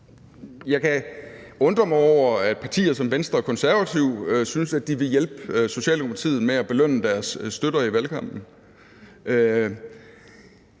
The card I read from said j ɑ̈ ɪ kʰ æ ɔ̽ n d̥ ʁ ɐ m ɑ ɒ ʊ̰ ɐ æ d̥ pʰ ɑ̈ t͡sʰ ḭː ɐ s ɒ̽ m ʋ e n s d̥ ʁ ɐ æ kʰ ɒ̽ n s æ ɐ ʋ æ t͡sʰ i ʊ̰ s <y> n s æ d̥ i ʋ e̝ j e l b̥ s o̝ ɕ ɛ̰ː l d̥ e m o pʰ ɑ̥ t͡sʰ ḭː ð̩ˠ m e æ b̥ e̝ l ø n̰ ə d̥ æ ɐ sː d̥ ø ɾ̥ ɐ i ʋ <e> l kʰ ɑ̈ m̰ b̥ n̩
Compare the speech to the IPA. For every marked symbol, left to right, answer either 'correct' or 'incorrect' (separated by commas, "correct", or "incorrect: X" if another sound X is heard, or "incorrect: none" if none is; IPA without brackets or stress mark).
correct, incorrect: æ